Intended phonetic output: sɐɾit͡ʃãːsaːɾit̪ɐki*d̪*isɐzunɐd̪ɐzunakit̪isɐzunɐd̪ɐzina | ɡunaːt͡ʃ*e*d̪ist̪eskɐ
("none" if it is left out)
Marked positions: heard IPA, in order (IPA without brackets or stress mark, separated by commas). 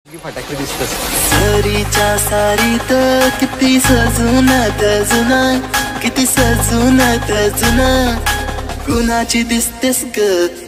t̪, i